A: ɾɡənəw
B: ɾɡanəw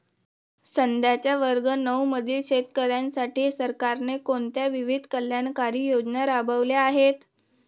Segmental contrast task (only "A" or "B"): A